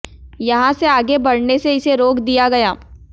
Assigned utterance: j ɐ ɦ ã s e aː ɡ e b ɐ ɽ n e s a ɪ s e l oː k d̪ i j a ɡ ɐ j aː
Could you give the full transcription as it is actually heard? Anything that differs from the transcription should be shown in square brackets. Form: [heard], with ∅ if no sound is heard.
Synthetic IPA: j ɐ ɦ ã s e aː ɡ e b ɐ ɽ n e s [e] ɪ s e [ɾ] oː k d̪ i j a ɡ ɐ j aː